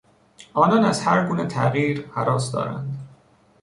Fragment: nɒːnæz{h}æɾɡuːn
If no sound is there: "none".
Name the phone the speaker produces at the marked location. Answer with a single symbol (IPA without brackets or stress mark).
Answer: h